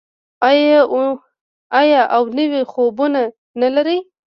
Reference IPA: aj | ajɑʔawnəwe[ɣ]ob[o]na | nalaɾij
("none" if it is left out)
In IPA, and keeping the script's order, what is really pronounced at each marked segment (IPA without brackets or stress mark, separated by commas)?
x, u